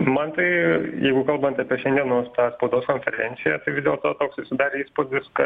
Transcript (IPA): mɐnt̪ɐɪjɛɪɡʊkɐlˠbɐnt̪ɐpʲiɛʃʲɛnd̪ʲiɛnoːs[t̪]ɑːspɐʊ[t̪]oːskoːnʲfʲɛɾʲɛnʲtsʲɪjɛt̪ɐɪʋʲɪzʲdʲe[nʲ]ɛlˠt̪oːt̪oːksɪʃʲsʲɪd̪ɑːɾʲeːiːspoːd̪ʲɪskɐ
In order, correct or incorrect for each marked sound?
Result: correct, incorrect: d̪, incorrect: none

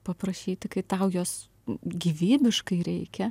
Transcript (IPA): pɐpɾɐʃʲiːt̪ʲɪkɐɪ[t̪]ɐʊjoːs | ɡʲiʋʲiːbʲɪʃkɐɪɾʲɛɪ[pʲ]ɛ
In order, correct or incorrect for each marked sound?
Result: correct, incorrect: kʲ

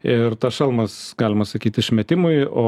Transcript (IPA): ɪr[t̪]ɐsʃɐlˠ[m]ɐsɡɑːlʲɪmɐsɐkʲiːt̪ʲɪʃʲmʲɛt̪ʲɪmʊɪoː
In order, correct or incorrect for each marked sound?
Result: correct, correct

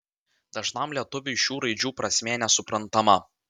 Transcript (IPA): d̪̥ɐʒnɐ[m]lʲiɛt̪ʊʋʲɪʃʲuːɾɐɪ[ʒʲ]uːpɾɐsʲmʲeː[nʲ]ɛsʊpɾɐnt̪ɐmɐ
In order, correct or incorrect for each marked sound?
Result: correct, incorrect: d͡ʒʲ, correct

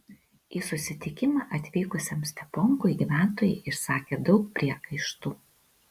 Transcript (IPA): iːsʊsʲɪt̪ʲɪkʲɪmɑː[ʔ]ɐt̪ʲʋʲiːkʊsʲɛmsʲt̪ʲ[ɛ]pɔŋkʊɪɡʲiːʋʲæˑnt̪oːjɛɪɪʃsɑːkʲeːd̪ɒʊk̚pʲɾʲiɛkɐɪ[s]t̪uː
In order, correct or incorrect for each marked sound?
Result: correct, correct, incorrect: ʃ

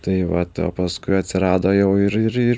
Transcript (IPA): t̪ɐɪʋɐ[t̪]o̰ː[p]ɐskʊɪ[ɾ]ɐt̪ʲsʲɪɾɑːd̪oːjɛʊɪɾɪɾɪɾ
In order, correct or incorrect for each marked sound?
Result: correct, correct, incorrect: none

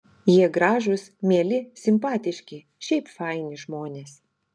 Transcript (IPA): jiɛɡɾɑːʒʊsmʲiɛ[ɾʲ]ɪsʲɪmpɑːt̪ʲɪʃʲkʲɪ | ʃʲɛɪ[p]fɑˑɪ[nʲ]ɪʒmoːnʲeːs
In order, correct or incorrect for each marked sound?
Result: incorrect: lʲ, correct, correct

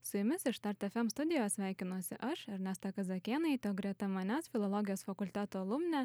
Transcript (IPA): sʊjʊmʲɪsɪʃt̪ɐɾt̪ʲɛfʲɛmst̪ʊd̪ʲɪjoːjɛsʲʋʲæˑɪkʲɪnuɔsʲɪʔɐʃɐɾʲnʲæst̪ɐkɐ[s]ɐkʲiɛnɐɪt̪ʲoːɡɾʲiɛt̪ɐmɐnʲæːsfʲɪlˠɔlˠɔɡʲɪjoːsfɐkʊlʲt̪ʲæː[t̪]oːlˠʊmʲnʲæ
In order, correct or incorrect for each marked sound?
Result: incorrect: z, correct

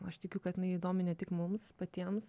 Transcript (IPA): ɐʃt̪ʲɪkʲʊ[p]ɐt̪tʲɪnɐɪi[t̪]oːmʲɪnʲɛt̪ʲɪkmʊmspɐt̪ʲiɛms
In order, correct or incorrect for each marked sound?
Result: incorrect: k, incorrect: d̪

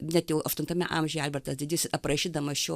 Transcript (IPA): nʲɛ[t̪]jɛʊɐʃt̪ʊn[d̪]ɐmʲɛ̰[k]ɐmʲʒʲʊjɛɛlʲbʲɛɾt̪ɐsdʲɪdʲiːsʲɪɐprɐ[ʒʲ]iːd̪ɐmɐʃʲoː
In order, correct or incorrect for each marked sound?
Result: correct, incorrect: t̪, incorrect: ʔ, incorrect: ʃʲ

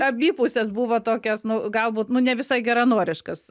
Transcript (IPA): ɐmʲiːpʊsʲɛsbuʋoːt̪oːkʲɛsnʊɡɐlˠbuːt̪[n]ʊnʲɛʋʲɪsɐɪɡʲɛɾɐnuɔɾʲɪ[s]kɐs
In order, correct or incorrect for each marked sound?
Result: correct, incorrect: ʃ

